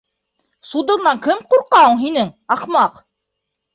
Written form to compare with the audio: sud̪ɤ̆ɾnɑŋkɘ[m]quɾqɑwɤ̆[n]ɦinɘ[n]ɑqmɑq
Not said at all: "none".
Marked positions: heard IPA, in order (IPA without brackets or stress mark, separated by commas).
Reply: m, ɴ, ŋ